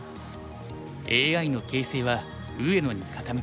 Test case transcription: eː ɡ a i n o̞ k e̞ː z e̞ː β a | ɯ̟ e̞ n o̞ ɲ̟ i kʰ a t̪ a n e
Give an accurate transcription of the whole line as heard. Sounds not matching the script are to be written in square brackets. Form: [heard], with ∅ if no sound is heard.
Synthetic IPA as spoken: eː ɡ a i n o̞ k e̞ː [s] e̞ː β a | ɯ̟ e̞ n o̞ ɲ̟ i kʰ a t̪ a [m] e